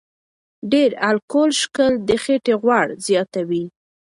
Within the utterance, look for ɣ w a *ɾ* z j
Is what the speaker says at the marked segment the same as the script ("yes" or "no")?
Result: no